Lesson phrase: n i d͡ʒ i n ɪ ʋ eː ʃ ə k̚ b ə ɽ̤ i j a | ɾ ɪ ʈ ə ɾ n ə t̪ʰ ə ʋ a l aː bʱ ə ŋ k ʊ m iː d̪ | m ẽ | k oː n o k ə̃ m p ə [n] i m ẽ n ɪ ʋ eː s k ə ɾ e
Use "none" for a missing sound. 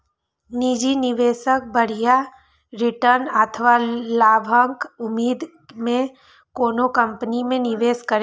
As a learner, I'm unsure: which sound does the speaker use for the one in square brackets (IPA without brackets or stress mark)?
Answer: n